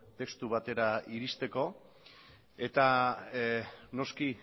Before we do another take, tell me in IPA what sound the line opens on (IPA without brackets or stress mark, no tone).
t̪